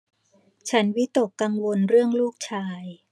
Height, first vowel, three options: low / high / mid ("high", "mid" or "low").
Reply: low